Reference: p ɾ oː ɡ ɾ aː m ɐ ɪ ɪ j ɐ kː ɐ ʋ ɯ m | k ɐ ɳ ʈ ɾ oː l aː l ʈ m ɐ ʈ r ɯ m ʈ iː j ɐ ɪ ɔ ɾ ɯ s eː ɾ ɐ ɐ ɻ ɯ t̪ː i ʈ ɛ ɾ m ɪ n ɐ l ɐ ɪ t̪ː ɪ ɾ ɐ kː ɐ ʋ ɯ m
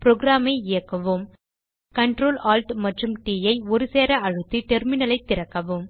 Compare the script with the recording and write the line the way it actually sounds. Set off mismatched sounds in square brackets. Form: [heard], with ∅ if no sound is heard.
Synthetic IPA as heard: p ɾ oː ɡ ɾ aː m ɐ ɪ ɪ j ɐ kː ɐ ʋ ɯ m | k ɐ ɳ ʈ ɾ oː l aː l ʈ m ɐ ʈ r ɯ m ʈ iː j ɐ ɪ ɔ ɾ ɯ s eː ɾ ɐ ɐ ɻ ɯ t̪ː i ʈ ɛ ɾ m ɪ n ɐ l ɐ ɪ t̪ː ɪ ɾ ɐ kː ɐ ʋ ɯ m